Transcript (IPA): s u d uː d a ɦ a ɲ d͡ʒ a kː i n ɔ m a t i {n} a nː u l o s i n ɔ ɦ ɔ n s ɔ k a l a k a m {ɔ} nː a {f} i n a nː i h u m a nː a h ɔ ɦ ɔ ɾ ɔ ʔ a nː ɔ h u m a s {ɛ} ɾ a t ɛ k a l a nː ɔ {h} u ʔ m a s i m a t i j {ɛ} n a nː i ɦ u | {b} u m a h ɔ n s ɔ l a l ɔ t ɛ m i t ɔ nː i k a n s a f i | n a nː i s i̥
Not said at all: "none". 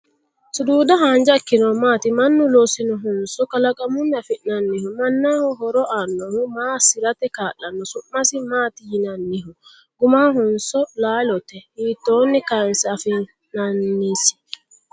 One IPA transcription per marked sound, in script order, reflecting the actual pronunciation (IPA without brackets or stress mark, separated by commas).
m, u, f, i, s, i, ɡ